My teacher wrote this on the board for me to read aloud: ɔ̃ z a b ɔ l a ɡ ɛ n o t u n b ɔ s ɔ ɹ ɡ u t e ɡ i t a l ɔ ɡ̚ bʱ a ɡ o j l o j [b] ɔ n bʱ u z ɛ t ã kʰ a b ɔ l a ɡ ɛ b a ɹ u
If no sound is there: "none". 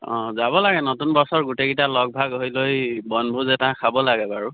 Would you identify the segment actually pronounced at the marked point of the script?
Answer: b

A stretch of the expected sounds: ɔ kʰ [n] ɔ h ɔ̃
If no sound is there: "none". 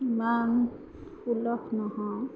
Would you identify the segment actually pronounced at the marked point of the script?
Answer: n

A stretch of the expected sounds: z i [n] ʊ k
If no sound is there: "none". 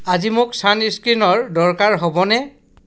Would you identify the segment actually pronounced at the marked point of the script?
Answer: m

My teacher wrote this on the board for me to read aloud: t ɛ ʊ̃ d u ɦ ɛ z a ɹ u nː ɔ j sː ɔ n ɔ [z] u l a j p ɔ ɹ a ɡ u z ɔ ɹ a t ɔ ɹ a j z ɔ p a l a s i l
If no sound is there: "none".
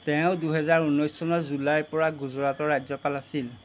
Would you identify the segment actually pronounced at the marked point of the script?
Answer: z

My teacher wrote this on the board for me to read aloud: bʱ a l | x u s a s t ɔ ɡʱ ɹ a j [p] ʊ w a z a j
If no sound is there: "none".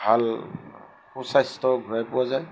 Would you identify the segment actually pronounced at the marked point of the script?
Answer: p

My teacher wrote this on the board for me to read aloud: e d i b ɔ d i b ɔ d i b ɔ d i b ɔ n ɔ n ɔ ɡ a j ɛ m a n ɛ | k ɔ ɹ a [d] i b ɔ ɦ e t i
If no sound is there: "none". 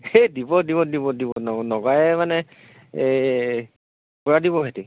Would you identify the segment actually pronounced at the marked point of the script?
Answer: d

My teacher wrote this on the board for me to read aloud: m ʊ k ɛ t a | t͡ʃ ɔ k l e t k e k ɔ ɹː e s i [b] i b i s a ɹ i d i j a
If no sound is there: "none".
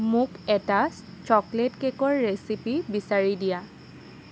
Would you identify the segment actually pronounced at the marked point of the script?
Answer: p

